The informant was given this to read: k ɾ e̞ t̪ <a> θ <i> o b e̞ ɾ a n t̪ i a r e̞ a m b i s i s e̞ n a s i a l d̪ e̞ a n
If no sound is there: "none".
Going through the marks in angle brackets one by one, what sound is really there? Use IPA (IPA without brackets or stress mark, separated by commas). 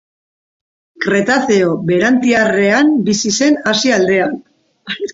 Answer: a, e